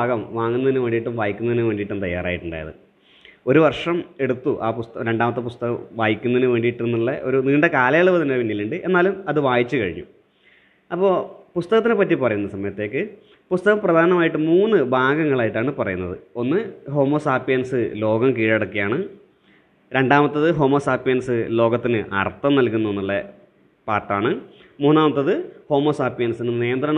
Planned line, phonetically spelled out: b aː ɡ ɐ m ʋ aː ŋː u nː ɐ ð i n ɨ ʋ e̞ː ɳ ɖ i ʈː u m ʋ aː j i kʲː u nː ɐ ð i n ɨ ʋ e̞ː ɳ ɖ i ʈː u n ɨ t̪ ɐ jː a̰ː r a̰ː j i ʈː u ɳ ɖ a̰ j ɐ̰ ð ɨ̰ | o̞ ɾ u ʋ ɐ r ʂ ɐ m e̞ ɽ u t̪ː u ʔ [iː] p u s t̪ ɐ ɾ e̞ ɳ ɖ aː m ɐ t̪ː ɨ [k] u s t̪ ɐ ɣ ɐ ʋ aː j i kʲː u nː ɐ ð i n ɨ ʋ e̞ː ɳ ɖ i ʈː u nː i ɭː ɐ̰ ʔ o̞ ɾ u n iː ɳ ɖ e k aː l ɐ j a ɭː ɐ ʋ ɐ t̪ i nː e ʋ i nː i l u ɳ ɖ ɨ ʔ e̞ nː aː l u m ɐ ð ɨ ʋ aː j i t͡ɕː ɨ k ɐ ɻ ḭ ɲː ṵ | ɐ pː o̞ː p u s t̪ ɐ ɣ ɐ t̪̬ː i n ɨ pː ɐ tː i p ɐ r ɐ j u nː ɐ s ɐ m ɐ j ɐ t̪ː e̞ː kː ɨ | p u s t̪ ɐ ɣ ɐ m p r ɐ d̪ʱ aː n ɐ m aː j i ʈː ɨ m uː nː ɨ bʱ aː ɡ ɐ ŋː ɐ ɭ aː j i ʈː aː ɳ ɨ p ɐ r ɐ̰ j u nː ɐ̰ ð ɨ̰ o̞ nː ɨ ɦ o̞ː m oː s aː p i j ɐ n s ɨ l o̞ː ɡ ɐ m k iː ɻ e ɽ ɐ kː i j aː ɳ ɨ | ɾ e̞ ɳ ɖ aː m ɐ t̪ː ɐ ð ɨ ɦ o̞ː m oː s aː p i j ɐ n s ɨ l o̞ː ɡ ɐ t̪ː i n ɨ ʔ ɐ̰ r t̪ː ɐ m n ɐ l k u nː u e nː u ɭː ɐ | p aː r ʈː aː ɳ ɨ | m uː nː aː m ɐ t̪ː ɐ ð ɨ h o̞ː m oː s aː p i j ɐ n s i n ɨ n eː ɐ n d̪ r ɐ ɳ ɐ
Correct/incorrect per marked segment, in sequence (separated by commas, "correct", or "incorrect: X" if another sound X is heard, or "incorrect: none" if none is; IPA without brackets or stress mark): incorrect: aː, incorrect: p